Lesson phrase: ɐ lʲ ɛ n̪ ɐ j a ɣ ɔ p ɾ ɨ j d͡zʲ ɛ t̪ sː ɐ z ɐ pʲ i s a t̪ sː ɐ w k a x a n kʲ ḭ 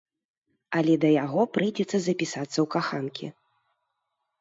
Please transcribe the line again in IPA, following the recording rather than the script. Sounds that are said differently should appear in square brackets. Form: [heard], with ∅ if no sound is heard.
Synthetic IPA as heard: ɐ lʲ ɛ [d̪] ɐ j a ɣ ɔ p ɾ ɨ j d͡zʲ ɛ t̪ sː ɐ z ɐ pʲ i s a t̪ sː ɐ w k a x a n kʲ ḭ

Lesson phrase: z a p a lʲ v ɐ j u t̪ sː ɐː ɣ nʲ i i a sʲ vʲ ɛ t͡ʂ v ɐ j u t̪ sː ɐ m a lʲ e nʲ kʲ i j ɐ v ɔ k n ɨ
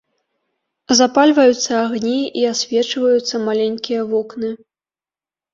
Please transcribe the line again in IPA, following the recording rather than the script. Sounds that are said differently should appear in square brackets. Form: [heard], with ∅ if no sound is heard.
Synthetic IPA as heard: z a p a lʲ v ɐ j u t̪ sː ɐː ɣ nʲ i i a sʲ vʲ ɛ t͡ʂ v ɐ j u t̪ sː ɐ m a lʲ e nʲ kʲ i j ɐ v ɔ k n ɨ

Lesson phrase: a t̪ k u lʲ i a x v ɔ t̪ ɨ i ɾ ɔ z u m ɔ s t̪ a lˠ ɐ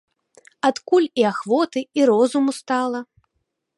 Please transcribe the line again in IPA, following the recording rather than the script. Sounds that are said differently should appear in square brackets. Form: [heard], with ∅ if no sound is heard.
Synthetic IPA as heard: a t̪ k u lʲ i a x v ɔ t̪ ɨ i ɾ ɔ z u m [u] s t̪ a lˠ ɐ

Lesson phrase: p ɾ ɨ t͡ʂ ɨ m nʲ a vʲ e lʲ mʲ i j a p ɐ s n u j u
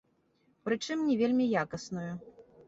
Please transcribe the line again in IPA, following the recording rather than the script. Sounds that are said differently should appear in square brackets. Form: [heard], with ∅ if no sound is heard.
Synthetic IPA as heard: p ɾ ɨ t͡ʂ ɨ m nʲ [ɛ] vʲ e lʲ mʲ i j a [k] ɐ s n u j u

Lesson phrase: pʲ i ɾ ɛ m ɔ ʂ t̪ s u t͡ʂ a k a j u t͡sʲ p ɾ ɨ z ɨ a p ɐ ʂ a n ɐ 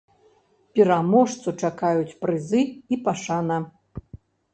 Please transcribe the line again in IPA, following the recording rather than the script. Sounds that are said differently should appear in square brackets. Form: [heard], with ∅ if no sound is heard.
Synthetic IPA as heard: pʲ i ɾ [a] m ɔ ʂ t̪ s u t͡ʂ a k a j u t͡sʲ p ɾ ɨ z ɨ [i] p [a] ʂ a n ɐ

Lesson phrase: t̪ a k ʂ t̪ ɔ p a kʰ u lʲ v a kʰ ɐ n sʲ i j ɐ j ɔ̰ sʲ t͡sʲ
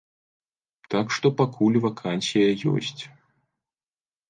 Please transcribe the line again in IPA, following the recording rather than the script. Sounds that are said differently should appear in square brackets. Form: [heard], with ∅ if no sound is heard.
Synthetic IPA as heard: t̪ a k ʂ t̪ ɔ p a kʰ u lʲ v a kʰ [a] n sʲ i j ɐ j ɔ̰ sʲ t͡sʲ

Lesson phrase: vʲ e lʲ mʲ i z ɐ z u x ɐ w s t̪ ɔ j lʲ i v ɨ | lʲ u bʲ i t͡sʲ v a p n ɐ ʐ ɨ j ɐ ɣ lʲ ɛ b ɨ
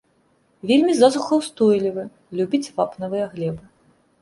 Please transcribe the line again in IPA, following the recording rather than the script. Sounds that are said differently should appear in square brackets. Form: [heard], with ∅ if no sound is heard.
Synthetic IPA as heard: vʲ e lʲ mʲ i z [a] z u x ɐ w s t̪ ɔ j lʲ i v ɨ | lʲ u bʲ i t͡sʲ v a p n ɐ [v] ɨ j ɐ ɣ lʲ ɛ b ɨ

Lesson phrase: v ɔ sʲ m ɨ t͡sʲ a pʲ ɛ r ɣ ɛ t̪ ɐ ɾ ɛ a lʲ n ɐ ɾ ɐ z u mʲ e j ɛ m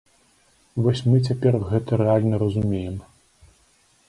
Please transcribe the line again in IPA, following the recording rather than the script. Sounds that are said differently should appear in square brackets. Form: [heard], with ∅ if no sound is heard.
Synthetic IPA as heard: v ɔ sʲ m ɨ t͡sʲ a pʲ ɛ r ɣ ɛ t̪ ɐ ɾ ɛ a lʲ n ɐ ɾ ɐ z u mʲ e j ɛ m

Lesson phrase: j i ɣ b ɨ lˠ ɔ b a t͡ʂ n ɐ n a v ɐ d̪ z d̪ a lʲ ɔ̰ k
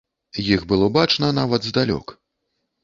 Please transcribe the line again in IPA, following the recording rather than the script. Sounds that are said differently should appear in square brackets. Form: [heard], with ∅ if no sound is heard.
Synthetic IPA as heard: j i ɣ b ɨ lˠ ɔ b a t͡ʂ n ɐ n a v ɐ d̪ z d̪ a lʲ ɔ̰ k

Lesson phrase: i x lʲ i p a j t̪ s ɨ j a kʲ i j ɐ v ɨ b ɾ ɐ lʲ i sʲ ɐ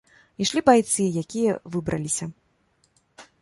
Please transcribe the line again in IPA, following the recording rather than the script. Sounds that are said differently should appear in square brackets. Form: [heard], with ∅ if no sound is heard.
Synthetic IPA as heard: i [ʂ] lʲ i [b] a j t̪ s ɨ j a kʲ i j ɐ v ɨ b ɾ ɐ lʲ i sʲ ɐ

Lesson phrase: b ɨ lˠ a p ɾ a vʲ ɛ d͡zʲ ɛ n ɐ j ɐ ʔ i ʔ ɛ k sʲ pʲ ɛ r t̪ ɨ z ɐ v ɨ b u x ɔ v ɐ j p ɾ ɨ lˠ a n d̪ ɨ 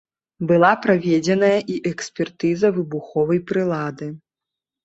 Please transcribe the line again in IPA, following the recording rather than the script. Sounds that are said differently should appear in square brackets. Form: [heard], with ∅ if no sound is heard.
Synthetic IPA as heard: b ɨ lˠ a p ɾ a vʲ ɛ d͡zʲ ɛ n ɐ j ɐ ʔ i ʔ ɛ k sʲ pʲ ɛ r t̪ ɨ z ɐ v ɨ b u x ɔ v ɐ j p ɾ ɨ lˠ a [∅] d̪ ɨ

